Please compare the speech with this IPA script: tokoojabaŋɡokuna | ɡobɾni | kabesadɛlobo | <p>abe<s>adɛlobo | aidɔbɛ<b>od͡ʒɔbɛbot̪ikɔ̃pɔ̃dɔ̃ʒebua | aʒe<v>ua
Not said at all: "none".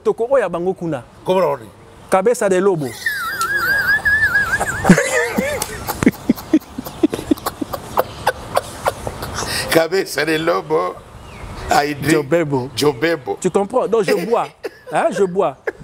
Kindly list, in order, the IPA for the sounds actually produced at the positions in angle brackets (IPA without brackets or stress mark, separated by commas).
k, s, b, b